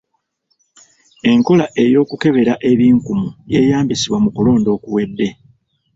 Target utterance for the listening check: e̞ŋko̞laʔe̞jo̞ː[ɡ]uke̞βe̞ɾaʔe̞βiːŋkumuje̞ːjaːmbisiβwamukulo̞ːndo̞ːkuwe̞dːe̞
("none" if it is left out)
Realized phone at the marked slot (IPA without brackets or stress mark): k